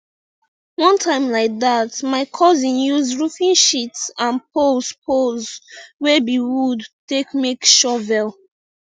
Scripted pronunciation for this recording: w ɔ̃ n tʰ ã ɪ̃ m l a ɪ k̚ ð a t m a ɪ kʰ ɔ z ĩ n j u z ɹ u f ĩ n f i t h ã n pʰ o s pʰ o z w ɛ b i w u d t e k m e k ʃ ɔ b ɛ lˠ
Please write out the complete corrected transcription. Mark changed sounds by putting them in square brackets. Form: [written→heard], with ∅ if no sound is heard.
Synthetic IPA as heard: w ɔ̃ n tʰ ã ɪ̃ m l a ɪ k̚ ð a t m a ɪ kʰ ɔ z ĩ n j u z ɹ u f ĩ n [f→ʃ] i t [h→s] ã n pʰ o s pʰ o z w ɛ b i w u d t e k m e k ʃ ɔ [b→v] ɛ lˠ